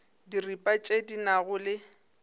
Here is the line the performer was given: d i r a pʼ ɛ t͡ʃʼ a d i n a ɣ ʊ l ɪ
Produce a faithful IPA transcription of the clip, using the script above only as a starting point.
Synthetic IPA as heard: d i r i pʼ a t͡ʃʼ e d i n a ɣ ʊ l ɪ